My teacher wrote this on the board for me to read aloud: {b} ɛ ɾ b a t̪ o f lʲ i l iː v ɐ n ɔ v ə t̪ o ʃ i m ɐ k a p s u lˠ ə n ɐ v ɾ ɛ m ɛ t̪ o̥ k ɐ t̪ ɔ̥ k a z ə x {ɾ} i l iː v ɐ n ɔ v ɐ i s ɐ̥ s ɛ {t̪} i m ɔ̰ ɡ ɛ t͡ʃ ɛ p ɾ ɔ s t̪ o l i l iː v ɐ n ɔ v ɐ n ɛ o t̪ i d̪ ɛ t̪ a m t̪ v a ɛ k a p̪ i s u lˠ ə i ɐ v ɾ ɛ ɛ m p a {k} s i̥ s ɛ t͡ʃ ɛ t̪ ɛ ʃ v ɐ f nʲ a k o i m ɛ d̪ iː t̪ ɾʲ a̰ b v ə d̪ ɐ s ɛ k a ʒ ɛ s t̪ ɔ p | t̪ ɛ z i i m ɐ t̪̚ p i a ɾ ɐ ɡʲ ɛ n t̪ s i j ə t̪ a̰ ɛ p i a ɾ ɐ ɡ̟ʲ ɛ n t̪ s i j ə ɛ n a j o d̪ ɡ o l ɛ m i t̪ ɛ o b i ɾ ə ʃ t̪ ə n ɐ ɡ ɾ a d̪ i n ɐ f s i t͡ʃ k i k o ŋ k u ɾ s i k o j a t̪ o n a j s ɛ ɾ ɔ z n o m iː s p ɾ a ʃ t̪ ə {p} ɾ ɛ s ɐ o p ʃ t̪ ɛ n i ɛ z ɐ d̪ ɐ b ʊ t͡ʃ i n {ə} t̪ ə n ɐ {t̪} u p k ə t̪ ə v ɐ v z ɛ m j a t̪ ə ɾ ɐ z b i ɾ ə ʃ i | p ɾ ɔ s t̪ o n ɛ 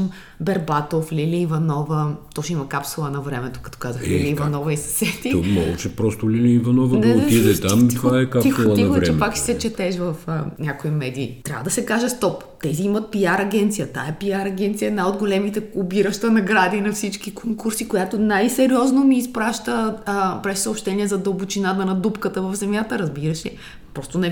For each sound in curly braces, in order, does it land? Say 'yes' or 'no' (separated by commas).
yes, no, yes, yes, yes, no, no